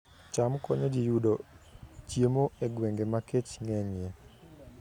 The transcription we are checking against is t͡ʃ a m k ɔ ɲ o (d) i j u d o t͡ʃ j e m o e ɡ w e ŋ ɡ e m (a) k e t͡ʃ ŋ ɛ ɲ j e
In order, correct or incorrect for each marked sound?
incorrect: d͡ʒ, correct

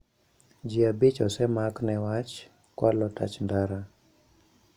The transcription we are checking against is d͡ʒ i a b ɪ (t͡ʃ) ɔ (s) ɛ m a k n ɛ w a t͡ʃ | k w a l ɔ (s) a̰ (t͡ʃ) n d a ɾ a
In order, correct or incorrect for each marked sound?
correct, correct, incorrect: t, correct

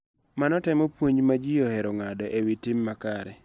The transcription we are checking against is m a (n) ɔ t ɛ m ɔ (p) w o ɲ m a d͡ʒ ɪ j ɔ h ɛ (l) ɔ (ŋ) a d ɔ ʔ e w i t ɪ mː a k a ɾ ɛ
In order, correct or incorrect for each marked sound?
correct, correct, incorrect: ɾ, correct

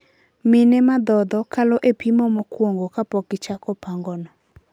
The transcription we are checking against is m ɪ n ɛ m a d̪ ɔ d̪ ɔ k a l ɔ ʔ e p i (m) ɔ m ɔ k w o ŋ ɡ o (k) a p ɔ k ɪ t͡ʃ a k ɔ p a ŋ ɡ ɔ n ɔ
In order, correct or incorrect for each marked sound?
correct, correct

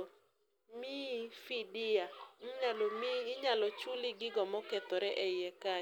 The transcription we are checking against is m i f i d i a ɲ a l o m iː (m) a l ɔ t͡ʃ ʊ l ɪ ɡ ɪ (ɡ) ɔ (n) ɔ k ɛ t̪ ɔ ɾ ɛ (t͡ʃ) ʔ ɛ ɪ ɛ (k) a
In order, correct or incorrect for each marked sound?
incorrect: ɲ, correct, incorrect: m, incorrect: none, correct

